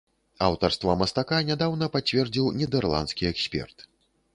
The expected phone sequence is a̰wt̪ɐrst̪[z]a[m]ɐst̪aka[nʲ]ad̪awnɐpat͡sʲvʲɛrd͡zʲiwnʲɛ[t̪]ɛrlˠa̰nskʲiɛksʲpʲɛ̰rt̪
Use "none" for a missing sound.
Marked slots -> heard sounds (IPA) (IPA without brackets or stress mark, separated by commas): v, m, nʲ, d̪